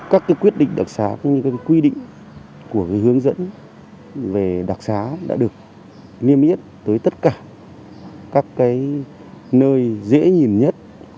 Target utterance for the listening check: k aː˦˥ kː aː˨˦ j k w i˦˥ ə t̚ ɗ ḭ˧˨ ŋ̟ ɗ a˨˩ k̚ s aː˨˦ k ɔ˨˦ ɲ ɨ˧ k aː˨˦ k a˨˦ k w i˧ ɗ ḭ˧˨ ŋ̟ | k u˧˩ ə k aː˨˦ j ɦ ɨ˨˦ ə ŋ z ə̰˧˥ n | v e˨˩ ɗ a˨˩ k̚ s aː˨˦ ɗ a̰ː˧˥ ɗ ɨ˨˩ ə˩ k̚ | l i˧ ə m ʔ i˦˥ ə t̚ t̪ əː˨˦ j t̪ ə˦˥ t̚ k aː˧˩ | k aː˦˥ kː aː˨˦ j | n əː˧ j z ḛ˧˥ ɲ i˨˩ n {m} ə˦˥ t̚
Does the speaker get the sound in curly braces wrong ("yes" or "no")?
yes